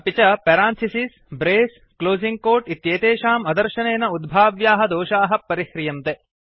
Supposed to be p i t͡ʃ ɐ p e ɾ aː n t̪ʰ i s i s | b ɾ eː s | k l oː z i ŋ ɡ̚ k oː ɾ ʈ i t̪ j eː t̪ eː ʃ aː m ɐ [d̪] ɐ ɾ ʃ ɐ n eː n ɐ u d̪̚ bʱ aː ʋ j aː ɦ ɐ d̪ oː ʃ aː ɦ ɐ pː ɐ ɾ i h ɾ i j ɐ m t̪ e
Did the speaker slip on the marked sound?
no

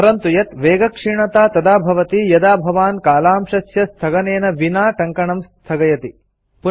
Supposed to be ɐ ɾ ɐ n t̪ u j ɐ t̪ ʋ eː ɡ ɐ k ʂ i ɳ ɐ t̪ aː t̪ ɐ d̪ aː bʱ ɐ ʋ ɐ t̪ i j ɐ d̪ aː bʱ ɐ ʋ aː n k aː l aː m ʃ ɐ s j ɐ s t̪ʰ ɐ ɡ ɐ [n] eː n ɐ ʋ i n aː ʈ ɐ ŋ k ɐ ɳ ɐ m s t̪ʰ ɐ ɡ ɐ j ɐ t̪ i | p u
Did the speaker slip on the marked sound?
no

